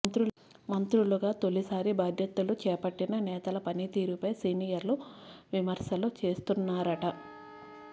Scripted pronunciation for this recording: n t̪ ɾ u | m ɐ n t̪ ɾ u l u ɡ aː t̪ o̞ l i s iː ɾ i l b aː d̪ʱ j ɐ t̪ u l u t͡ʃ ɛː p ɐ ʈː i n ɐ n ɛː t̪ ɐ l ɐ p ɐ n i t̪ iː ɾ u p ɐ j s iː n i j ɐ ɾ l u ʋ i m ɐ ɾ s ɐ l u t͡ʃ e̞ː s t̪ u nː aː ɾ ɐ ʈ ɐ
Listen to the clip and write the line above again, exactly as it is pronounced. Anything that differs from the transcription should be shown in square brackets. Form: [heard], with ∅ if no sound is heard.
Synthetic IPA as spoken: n t̪ ɾ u | m ɐ n t̪ ɾ u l u ɡ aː t̪ o̞ l i s [aː] ɾ i [∅] b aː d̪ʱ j ɐ t̪ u l u t͡ʃ ɛː p ɐ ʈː i n ɐ n ɛː t̪ ɐ l ɐ p ɐ n i t̪ iː ɾ u p ɐ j s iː n i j ɐ ɾ l u ʋ i m ɐ ɾ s ɐ l u t͡ʃ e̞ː s t̪ u nː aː ɾ ɐ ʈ ɐ

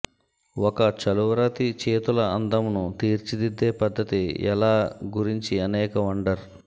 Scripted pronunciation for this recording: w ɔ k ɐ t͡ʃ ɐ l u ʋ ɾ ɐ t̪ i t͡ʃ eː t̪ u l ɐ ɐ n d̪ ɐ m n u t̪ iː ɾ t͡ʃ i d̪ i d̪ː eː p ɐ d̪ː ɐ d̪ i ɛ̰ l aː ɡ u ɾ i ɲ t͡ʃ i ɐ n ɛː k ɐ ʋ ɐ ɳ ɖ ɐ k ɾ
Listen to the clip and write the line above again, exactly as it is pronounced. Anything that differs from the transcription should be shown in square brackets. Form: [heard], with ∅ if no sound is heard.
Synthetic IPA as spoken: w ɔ k ɐ t͡ʃ ɐ l u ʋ ɾ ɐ t̪ i t͡ʃ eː t̪ u l ɐ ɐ n d̪ ɐ m n u t̪ iː ɾ t͡ʃ i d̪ i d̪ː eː p ɐ d̪ː ɐ [t̪] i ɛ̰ l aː ɡ u ɾ i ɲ t͡ʃ i ɐ n ɛː k ɐ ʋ ɐ ɳ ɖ ɐ [∅] ɾ

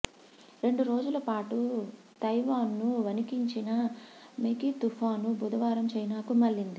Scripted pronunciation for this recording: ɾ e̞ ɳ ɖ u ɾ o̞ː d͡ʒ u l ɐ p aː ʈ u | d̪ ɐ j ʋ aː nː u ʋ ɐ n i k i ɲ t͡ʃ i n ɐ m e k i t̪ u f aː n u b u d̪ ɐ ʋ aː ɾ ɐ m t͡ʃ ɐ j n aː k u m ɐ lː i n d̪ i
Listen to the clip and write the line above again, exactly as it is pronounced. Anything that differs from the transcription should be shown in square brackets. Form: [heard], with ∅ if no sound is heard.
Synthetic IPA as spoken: ɾ e̞ ɳ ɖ u ɾ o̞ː d͡ʒ u l ɐ p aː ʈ u | [t̪] ɐ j ʋ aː nː u ʋ ɐ n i k i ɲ t͡ʃ i n ɐ m e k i t̪ u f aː n u b u d̪ ɐ ʋ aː ɾ ɐ m t͡ʃ ɐ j n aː k u m ɐ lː i n d̪ i

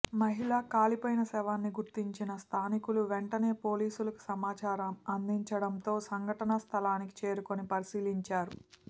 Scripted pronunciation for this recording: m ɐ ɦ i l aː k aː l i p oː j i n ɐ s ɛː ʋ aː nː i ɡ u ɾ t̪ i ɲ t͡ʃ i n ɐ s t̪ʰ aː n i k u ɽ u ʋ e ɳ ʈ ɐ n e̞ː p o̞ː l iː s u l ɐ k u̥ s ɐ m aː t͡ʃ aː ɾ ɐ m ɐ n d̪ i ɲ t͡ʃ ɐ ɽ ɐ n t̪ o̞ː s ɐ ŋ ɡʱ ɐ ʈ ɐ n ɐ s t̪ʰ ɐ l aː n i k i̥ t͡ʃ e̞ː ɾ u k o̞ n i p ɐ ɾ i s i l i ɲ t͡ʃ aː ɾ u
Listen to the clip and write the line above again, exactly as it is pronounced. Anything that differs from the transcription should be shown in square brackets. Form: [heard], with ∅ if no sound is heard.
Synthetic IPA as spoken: m ɐ ɦ i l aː k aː l i p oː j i n ɐ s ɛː ʋ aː nː i ɡ u ɾ t̪ i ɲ t͡ʃ i n ɐ s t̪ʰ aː n i k u [l] u ʋ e ɳ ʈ ɐ n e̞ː p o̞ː l iː s u l ɐ k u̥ s ɐ m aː t͡ʃ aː ɾ ɐ m ɐ n d̪ i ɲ t͡ʃ ɐ ɽ ɐ n t̪ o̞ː s ɐ ŋ ɡʱ ɐ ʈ ɐ n ɐ s t̪ʰ ɐ l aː n i k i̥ t͡ʃ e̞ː ɾ u k o̞ n i p ɐ ɾ i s [iː] l i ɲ t͡ʃ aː ɾ u

